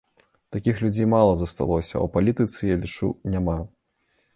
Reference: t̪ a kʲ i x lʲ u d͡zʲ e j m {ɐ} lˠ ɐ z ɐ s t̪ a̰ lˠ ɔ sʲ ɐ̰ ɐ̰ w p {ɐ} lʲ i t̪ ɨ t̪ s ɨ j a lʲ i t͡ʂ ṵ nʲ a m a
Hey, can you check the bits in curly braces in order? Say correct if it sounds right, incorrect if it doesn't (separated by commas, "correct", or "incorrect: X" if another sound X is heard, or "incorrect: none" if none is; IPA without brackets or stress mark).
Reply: incorrect: a, incorrect: a